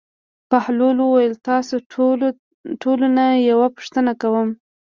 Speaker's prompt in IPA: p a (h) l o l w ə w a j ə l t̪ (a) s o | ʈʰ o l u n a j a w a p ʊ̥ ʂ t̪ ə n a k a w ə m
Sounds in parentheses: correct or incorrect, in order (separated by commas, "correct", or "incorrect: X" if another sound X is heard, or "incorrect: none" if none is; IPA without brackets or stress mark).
correct, incorrect: ɑ